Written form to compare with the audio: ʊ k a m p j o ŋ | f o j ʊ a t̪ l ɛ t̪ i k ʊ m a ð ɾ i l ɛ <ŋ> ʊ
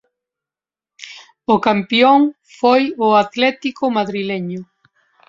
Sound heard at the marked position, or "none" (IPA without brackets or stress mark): ɲ